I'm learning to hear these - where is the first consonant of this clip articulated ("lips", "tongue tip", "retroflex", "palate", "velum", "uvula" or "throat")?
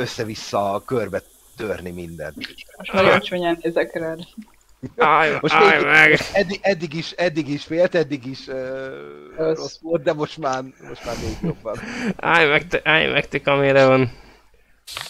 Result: tongue tip